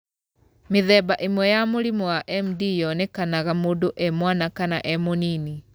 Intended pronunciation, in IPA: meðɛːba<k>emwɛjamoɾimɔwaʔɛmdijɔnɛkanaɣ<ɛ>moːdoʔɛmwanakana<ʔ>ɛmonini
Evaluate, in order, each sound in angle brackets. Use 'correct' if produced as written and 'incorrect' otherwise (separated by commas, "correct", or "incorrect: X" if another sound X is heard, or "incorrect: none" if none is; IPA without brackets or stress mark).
incorrect: ʔ, incorrect: a, correct